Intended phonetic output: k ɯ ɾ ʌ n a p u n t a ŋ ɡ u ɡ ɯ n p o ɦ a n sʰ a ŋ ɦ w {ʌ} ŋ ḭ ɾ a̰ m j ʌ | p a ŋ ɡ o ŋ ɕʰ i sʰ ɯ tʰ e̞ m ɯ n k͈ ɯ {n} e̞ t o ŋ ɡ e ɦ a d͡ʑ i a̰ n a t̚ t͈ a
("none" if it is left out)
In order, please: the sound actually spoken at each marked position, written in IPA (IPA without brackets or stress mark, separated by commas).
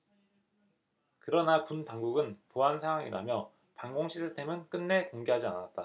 a, nː